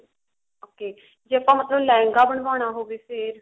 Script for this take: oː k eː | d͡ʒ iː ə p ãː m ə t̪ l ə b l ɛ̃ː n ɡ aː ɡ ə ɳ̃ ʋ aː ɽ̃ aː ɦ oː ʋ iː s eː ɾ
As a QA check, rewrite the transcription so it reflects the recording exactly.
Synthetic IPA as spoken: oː k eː | d͡ʒ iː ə p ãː m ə t̪ l ə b l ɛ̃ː ŋ ɡ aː b ə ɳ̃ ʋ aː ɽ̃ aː ɦ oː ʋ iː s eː ɾ